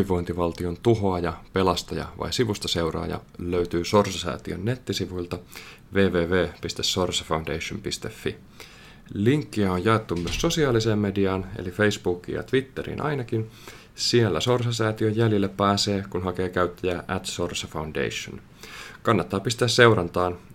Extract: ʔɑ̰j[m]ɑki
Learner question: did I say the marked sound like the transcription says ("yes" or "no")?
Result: no